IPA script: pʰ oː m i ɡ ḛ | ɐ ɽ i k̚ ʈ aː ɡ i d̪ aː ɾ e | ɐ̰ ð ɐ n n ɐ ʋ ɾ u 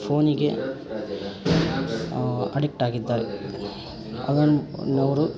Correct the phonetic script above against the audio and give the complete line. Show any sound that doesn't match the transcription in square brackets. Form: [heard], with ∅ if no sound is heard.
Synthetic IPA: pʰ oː [n] i ɡ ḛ | ɐ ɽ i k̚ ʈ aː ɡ i [d̪ː] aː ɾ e | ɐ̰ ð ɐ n n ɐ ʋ ɾ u